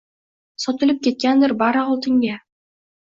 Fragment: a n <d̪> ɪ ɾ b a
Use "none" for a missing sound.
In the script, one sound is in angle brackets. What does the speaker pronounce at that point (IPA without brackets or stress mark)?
d̪